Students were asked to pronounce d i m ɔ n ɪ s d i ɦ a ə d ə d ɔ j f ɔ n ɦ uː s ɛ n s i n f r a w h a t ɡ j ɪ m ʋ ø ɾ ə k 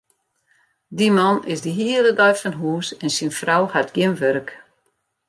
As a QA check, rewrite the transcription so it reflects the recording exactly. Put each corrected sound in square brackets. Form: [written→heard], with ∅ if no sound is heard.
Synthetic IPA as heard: d i m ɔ n ɪ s d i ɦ [a→i] ə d ə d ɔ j f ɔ n ɦ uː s ɛ n s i n f r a w h a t ɡ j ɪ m ʋ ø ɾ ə k

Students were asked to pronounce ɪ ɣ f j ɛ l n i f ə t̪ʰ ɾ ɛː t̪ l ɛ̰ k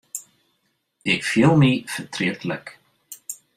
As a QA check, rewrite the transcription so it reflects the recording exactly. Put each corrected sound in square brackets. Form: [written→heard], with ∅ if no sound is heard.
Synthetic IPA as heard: ɪ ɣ f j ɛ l [n→m] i f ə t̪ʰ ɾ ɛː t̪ l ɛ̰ k

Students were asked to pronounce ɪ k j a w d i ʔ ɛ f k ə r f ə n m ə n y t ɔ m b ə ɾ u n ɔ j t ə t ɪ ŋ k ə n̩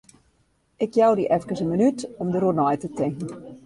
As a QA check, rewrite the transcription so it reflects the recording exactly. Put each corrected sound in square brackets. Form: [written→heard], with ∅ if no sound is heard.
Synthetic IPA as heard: ɪ k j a w d i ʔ ɛ f k ə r [f→s] ə n m ə n y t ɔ m [b→d] ə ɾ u n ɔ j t ə t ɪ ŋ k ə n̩

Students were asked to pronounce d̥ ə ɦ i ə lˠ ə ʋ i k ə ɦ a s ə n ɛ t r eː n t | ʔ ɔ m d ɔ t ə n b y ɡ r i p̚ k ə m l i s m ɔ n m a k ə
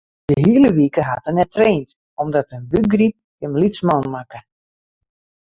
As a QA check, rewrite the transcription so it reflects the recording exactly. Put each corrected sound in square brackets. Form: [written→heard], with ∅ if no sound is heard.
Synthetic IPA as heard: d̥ ə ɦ i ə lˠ ə ʋ i k ə ɦ a [s→t] ə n ɛ t r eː n t | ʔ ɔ m d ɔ t ə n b y ɡ r i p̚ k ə m l i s m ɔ n m a k ə

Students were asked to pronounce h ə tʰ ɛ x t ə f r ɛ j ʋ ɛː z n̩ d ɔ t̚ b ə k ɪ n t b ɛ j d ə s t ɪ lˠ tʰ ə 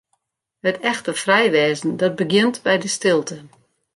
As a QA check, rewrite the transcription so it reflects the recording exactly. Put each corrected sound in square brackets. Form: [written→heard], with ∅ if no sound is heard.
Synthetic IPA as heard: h ə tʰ ɛ x t ə f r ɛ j ʋ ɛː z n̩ d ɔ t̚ b ə [k→ɡ] ɪ n t b ɛ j d ə s t ɪ lˠ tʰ ə

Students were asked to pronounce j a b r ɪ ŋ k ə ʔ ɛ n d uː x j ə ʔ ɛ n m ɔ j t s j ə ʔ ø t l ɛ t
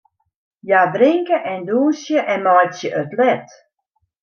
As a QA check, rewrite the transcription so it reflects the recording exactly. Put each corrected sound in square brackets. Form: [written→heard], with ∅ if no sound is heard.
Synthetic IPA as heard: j a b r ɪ ŋ k ə ʔ ɛ n d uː [x→s] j ə ʔ ɛ n m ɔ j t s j ə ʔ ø t l ɛ t

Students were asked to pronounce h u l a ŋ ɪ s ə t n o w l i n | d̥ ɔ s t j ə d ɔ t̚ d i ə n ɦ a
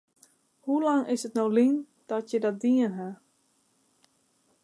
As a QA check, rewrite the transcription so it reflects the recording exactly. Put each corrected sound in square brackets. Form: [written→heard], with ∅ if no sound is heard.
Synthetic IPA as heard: h u l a ŋ ɪ s ə t n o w l i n | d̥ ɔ [s→∅] t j ə d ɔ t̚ d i ə n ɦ a

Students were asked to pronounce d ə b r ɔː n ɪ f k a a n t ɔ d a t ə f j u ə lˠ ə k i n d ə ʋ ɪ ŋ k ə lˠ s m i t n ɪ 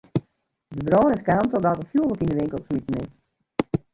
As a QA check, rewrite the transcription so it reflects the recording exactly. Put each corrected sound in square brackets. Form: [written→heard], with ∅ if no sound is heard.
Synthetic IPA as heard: d ə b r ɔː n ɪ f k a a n t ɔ d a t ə f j u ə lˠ ə k i n d ə ʋ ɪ ŋ k ə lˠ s m i t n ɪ

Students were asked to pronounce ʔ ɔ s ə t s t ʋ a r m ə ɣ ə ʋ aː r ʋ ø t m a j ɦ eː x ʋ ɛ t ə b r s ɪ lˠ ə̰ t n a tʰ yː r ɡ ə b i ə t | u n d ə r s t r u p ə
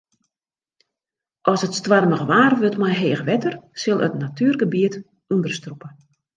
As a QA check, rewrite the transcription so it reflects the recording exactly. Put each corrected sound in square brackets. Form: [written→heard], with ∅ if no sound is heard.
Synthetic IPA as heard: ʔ ɔ s ə t s t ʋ a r m ə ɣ ə ʋ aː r ʋ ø t m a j ɦ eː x ʋ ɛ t ə [b→∅] r s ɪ lˠ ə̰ t n a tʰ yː r ɡ ə b i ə t | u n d ə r s t r u p ə

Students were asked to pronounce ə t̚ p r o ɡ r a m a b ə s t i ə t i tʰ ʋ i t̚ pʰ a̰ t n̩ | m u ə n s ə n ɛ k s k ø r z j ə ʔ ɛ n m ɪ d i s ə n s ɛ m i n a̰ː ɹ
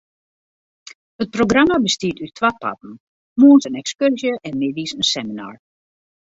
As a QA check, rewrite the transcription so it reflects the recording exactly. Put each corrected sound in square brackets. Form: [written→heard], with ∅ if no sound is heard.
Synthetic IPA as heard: ə t̚ p r o ɡ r a m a b ə s t i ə t [i→y] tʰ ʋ [i→a] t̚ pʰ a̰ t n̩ | m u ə n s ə n ɛ k s k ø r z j ə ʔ ɛ n m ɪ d i s ə n s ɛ m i n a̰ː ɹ

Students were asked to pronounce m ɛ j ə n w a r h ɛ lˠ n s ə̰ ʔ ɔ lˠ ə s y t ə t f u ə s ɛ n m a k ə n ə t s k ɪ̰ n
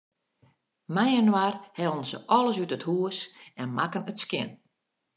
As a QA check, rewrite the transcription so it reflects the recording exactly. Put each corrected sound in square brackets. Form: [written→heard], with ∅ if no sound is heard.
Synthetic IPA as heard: m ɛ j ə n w a r h ɛ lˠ n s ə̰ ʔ ɔ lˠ ə s y t ə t [f→h] u ə s ɛ n m a k ə n ə t s k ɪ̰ n

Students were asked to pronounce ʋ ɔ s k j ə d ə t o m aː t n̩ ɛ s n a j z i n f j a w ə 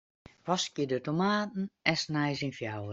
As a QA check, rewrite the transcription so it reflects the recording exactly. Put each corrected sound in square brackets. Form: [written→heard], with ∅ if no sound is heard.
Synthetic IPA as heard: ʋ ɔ s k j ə d ə t o m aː t n̩ ɛ s n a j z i n f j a w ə

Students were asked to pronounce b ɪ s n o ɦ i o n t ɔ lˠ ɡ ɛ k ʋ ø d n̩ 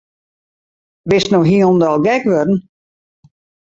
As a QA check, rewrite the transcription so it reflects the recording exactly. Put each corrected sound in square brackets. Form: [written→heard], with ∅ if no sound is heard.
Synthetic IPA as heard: b ɪ s n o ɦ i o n [t→d] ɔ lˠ ɡ ɛ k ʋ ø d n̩

